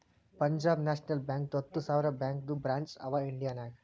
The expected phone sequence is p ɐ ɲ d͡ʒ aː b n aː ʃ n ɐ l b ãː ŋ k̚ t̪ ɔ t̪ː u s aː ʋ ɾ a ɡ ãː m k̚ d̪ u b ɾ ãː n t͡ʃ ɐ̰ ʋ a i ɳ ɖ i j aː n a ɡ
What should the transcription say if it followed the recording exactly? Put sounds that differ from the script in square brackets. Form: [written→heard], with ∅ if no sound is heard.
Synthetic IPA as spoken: p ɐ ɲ d͡ʒ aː b n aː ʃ n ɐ l b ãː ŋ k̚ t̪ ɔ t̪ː u s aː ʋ ɾ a [ɡ→b] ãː [m→ŋ] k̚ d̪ u b ɾ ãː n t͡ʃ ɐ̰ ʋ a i ɳ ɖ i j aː n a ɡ